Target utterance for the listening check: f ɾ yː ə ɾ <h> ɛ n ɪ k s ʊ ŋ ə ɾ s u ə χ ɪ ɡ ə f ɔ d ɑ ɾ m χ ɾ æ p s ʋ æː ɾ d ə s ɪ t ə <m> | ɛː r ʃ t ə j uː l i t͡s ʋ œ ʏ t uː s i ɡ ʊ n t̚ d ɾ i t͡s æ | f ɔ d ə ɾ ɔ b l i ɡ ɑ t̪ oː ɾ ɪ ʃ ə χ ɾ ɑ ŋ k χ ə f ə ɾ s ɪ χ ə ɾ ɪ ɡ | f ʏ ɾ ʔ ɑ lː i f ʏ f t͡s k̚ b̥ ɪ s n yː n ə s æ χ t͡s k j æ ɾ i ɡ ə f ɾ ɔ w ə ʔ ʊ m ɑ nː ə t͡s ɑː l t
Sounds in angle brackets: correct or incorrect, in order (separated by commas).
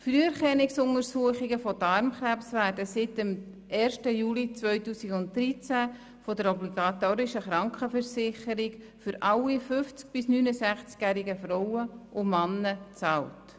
incorrect, correct